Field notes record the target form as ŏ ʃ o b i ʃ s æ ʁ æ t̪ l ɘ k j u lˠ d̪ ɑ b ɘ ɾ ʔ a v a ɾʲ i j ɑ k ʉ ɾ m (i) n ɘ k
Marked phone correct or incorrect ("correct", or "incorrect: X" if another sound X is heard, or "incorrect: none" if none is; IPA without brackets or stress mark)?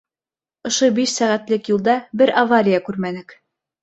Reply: incorrect: æ